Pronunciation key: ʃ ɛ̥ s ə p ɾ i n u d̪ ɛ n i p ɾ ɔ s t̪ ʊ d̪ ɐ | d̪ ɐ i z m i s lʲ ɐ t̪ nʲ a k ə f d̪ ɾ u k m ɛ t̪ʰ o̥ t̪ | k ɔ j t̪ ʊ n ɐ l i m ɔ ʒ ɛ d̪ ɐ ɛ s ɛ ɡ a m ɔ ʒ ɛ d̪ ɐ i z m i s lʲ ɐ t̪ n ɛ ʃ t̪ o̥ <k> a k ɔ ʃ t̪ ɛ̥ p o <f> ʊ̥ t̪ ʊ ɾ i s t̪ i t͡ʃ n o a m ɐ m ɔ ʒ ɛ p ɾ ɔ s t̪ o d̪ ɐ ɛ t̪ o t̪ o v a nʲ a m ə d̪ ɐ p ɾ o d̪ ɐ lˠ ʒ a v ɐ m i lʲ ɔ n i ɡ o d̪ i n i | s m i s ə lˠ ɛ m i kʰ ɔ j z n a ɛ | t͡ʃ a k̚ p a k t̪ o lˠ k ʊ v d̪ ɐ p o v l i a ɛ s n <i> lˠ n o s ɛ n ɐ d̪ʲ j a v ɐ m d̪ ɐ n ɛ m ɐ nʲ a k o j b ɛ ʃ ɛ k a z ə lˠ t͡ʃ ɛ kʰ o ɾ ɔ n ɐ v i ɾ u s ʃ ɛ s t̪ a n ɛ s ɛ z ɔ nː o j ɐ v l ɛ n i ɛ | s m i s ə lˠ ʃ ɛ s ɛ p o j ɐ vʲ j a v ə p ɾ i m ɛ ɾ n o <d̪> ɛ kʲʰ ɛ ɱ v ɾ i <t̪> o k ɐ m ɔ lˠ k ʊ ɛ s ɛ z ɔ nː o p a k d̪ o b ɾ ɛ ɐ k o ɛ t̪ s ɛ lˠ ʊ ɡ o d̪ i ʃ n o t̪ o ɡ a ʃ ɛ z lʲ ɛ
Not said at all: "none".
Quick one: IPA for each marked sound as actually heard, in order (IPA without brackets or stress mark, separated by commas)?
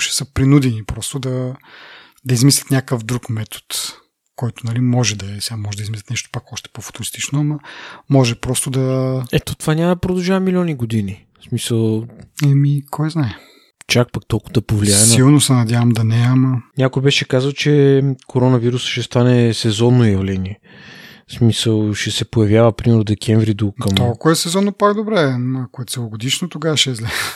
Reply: p, f, i, d̪, d̪